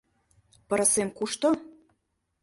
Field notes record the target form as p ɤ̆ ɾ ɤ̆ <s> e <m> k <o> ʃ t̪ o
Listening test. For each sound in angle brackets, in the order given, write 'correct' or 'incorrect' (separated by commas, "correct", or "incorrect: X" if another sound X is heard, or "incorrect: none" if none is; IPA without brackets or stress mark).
correct, correct, incorrect: u